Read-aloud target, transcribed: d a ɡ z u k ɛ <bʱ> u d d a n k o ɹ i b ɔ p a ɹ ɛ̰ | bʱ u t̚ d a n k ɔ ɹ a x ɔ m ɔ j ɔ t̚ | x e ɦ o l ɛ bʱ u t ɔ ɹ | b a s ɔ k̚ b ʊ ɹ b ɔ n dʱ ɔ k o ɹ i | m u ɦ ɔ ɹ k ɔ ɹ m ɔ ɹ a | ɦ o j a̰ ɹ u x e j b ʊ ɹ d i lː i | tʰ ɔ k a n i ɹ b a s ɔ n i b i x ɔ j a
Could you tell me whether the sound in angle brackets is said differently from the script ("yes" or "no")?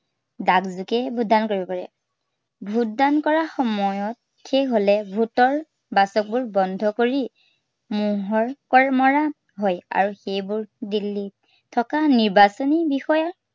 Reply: no